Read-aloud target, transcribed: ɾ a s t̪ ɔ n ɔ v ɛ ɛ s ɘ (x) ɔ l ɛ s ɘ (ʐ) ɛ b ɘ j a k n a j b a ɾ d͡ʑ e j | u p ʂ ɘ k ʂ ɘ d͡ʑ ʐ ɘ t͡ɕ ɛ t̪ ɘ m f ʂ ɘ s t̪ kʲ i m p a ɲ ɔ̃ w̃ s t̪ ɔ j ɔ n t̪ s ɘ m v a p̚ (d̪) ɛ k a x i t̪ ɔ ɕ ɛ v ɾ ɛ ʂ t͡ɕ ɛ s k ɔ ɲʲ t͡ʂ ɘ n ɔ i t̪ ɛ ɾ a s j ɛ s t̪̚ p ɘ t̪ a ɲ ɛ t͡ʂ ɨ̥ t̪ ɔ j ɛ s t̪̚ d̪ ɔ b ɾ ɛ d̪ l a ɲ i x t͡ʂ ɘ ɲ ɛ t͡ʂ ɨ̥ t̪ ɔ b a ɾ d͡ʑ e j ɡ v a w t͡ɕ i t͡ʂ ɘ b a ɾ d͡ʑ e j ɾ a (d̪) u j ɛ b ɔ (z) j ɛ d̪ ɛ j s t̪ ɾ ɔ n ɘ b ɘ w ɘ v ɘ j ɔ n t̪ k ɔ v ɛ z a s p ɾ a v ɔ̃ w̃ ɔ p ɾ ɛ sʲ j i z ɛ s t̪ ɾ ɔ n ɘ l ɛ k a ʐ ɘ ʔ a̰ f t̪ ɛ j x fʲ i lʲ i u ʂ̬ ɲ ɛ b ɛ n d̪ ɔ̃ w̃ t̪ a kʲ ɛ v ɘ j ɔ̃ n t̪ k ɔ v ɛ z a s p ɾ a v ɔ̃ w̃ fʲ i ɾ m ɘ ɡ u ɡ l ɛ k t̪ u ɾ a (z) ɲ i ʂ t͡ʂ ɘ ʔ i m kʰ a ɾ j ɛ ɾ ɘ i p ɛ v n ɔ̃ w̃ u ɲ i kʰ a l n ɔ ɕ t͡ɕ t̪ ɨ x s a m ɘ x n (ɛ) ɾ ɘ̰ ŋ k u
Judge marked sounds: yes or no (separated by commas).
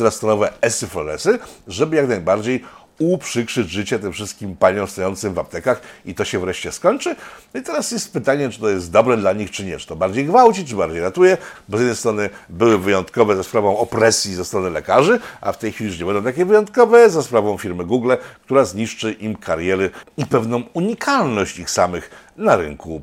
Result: no, yes, no, no, yes, yes, no